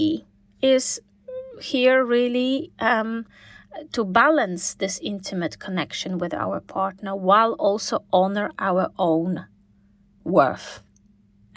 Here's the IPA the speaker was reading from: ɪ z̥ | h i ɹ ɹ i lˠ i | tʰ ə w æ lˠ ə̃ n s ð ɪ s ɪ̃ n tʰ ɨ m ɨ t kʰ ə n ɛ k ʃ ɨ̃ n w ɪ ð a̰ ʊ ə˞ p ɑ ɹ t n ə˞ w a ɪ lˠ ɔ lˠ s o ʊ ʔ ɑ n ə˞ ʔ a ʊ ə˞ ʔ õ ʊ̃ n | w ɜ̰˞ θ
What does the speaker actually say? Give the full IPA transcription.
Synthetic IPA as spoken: ɪ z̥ | h i ɹ ɹ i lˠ i | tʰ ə b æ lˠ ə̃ n s ð ɪ s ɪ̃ n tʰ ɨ m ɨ t kʰ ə n ɛ k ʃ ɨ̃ n w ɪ ð a̰ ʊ ə˞ pʰ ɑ ɹ t n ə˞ w a ɪ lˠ ɔ lˠ s o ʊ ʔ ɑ n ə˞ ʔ a ʊ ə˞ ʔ õ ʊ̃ n | w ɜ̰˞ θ